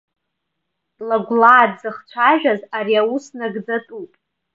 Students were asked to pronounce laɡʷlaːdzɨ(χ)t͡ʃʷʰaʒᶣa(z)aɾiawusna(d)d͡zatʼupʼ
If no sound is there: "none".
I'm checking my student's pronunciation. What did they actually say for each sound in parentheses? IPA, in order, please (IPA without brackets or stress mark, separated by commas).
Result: χ, z, ɡ